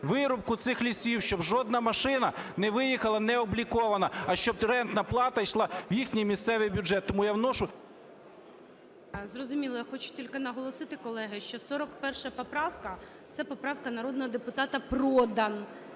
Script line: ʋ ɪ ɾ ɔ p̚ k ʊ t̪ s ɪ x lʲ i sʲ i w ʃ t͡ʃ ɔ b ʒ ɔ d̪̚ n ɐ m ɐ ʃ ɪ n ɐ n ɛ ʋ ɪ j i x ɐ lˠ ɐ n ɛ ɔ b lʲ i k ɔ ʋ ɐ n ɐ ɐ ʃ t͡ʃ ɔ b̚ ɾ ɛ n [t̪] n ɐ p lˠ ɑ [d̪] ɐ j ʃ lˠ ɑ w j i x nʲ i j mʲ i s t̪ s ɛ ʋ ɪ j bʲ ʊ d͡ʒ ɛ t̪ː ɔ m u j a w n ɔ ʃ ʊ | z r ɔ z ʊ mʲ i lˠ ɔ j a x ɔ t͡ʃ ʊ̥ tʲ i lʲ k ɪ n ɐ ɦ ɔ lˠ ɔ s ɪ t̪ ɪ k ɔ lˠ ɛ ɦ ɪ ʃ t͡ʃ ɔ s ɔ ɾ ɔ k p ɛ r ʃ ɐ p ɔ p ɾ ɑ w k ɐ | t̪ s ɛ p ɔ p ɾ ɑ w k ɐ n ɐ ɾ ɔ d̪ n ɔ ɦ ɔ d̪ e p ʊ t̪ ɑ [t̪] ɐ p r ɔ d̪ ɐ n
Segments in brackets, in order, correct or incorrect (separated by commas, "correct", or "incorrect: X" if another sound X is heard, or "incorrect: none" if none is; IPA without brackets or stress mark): correct, incorrect: t̪, correct